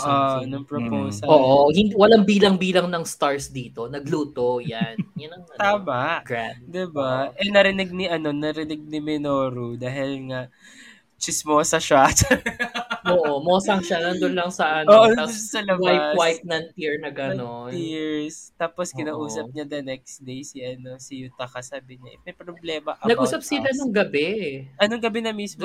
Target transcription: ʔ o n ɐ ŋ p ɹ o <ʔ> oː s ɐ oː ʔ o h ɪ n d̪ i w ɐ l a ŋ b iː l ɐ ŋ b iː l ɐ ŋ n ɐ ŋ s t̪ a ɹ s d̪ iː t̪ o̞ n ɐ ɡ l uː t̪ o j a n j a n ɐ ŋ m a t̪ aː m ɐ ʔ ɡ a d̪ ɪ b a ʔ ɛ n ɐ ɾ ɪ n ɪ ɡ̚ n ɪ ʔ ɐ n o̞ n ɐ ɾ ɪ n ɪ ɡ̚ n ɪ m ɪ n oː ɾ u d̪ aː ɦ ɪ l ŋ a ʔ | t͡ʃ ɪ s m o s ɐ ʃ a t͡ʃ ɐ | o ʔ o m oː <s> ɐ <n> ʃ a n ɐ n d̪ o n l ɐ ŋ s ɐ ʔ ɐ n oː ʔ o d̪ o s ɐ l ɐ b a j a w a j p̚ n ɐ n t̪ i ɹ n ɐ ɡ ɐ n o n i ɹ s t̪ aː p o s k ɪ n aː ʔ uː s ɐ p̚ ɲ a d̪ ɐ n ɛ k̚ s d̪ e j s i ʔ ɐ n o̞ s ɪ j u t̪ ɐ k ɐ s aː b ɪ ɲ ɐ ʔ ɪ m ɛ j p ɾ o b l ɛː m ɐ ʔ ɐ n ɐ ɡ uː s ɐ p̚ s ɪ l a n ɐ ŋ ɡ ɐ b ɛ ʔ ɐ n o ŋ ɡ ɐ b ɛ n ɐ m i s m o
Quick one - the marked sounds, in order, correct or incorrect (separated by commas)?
incorrect, correct, incorrect